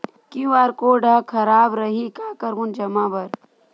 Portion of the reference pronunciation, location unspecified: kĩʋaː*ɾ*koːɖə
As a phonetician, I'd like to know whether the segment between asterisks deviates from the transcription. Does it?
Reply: no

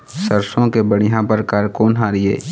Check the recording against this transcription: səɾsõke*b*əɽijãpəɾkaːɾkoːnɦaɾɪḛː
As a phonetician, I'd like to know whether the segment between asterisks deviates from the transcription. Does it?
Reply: no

